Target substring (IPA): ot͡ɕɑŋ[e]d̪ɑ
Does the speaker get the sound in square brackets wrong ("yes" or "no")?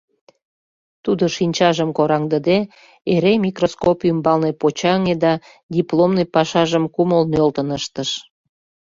no